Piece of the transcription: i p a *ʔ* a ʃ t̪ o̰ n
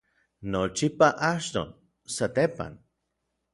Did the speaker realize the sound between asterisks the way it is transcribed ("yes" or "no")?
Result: yes